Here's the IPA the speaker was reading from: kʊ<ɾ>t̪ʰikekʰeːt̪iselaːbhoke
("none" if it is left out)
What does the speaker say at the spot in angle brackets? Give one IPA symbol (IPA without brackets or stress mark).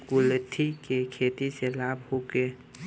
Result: l